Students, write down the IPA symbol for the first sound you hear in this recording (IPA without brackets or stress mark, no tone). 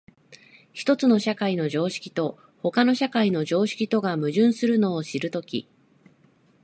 ç